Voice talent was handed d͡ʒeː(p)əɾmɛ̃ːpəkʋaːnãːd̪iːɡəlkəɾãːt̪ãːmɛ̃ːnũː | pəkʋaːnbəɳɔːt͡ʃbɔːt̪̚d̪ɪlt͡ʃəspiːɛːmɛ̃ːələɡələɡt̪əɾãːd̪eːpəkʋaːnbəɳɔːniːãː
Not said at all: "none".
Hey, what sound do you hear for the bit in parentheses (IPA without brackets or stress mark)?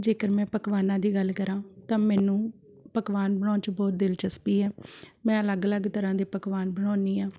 k